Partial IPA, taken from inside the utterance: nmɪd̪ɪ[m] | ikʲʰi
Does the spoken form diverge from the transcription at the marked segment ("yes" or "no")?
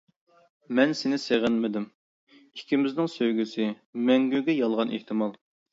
no